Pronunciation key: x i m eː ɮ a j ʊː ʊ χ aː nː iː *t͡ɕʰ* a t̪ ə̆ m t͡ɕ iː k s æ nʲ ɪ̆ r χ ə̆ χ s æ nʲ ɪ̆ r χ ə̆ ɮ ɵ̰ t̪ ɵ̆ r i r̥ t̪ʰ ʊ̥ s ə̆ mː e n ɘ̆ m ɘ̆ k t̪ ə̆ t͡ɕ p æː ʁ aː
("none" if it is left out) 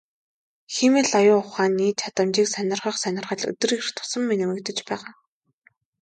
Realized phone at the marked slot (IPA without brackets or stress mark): t͡ɕʰ